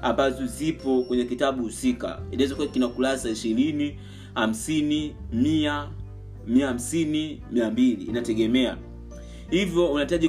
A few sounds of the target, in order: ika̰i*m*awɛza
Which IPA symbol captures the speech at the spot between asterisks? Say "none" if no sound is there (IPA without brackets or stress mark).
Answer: n